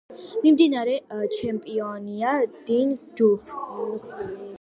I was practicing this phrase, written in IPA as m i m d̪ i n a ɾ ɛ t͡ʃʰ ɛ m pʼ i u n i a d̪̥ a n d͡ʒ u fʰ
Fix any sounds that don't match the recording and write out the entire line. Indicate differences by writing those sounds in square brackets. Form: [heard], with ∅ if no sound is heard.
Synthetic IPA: m i m d̪ i n a ɾ ɛ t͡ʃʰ ɛ m pʼ i [ɔ] n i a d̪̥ [i] n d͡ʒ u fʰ